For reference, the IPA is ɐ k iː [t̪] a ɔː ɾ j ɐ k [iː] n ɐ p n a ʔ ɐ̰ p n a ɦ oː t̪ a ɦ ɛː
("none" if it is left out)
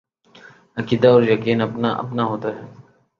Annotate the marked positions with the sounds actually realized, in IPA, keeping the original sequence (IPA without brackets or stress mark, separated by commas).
d̪, iː